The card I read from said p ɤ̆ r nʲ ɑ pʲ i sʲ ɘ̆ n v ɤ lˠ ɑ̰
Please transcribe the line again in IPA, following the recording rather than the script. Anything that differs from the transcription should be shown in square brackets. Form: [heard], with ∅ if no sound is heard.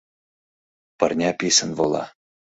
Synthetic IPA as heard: p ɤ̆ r nʲ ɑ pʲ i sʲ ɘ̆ n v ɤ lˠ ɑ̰

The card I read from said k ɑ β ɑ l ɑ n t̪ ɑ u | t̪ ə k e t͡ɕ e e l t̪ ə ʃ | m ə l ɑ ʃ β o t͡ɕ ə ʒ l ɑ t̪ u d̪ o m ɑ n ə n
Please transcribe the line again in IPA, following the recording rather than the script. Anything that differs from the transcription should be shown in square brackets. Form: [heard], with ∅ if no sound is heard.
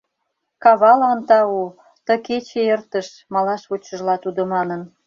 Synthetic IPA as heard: k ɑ β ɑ l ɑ n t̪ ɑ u | t̪ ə k e t͡ɕ e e [r] t̪ ə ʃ | m [ɑ] l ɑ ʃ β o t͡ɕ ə ʒ l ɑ t̪ u d̪ o m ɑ n ə n

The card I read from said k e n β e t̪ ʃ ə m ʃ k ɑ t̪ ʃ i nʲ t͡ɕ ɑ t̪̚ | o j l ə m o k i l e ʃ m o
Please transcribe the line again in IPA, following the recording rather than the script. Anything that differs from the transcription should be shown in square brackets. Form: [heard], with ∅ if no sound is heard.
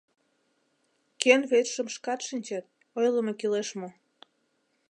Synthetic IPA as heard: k e n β e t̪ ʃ ə m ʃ k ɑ t̪ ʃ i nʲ t͡ɕ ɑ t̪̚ | o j l ə m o k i l e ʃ m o

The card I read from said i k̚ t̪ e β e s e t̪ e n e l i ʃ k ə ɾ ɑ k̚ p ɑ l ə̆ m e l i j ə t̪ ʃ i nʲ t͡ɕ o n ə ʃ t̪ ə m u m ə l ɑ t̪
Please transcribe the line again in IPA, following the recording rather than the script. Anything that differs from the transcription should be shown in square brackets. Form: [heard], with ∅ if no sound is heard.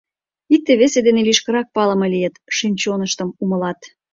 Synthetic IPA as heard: i k̚ t̪ e β e s e [d̪] e n e l i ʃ k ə ɾ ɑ k̚ p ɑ l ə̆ m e l i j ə t̪ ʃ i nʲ t͡ɕ o n ə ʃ t̪ ə m u m ə l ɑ t̪

